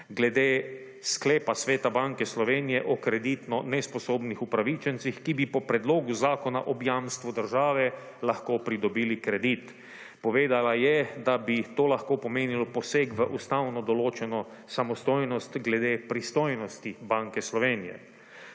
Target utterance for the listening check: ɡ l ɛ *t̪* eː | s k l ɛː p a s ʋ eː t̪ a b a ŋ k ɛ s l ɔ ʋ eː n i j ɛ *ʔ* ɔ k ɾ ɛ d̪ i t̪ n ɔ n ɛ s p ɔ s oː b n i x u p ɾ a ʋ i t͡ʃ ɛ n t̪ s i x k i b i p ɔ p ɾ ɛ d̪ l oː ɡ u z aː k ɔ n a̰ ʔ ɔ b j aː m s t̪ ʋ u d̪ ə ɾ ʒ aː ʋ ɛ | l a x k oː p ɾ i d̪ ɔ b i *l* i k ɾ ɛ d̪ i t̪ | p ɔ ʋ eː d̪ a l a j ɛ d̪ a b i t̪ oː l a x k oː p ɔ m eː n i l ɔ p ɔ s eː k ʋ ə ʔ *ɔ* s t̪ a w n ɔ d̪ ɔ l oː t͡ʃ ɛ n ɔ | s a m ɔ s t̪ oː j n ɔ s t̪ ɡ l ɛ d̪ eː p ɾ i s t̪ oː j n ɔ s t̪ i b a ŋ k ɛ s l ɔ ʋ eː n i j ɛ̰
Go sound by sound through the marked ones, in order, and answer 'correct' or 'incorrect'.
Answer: incorrect: d̪, correct, correct, incorrect: u

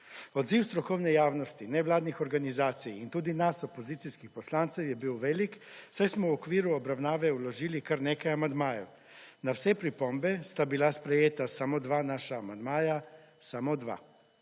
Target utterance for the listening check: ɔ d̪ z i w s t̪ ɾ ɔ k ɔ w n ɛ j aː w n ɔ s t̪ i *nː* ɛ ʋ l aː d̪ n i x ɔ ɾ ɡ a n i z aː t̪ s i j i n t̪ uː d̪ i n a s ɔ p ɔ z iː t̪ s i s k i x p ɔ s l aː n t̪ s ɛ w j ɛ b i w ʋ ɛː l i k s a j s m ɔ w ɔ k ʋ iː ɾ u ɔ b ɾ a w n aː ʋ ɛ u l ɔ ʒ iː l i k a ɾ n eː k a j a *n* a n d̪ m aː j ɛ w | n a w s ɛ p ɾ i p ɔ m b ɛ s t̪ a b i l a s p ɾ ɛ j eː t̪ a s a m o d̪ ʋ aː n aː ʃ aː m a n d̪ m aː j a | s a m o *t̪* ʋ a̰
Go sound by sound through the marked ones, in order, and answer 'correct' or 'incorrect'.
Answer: incorrect: n, incorrect: m, incorrect: d̪

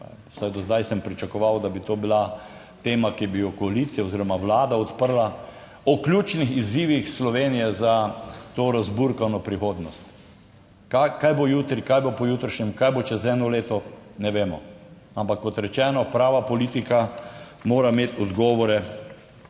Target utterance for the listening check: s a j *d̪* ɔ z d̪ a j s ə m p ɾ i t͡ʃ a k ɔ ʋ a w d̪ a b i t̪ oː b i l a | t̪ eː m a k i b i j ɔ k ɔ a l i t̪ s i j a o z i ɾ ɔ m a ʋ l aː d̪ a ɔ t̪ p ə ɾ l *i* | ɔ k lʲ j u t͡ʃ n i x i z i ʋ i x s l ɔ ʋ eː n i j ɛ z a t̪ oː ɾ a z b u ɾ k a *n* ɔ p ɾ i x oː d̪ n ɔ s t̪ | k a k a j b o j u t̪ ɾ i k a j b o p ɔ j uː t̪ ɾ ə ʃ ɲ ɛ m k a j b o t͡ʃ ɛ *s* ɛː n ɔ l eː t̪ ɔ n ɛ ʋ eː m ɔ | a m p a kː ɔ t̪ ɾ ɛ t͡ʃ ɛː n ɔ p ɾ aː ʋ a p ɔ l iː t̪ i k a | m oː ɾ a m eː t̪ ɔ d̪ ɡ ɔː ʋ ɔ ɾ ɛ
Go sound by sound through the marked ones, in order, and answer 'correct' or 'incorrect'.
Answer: correct, incorrect: a, correct, incorrect: z

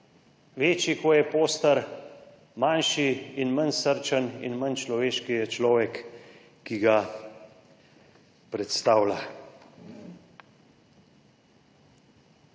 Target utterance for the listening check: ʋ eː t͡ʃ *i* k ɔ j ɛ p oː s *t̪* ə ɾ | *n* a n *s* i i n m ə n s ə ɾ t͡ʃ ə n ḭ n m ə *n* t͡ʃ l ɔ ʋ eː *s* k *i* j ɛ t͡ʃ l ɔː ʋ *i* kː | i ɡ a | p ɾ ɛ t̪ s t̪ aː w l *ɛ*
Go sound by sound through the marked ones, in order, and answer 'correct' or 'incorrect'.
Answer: correct, correct, incorrect: m, incorrect: ʃ, correct, incorrect: ʃ, correct, incorrect: ɛ, incorrect: a

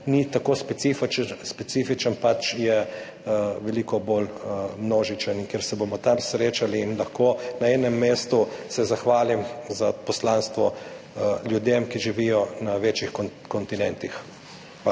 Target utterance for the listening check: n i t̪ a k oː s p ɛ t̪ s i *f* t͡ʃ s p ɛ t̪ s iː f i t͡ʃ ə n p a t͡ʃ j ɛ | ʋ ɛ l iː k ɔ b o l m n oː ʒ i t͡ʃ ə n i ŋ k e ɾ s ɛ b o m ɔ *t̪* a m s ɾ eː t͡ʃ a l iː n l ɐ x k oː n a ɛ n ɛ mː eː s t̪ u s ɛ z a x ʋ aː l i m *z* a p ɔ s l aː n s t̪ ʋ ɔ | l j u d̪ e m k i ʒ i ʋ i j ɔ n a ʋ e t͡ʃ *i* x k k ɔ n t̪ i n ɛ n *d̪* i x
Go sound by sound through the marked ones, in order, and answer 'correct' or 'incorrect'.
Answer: correct, correct, correct, correct, incorrect: t̪

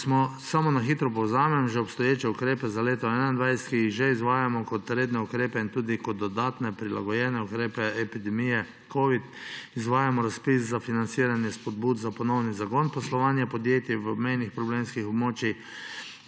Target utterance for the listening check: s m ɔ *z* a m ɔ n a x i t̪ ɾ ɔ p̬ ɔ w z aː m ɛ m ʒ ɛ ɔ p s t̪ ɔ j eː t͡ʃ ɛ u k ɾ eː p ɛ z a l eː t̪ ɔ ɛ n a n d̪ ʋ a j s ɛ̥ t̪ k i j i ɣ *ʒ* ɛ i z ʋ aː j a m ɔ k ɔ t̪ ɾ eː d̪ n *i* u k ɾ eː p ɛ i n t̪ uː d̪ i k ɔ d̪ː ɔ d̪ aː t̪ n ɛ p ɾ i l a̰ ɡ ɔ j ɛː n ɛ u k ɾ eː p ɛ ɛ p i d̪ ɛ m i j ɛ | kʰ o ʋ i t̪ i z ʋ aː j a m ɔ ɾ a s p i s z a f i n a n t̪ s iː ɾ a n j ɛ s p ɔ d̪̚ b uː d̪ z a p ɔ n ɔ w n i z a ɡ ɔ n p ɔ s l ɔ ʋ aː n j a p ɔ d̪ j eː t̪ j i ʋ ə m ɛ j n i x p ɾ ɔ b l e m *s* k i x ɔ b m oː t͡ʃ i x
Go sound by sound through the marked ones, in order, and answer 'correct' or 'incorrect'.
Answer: incorrect: s, correct, incorrect: ɛ, correct

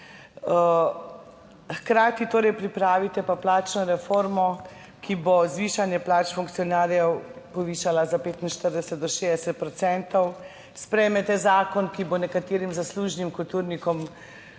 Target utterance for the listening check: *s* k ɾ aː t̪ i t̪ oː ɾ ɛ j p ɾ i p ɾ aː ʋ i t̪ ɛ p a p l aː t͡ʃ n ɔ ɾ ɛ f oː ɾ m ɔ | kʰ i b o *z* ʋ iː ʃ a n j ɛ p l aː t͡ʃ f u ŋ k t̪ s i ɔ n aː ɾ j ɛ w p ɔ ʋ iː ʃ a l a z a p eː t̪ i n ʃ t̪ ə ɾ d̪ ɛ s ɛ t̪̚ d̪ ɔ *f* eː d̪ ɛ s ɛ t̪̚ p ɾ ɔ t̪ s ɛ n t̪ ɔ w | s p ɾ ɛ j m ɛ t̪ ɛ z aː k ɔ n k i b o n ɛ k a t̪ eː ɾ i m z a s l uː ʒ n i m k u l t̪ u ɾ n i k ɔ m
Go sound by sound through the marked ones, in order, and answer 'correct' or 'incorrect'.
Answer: incorrect: x, correct, incorrect: ʃ

